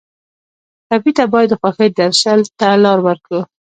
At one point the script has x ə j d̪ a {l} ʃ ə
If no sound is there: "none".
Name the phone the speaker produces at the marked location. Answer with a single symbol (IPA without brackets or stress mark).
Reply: ɾ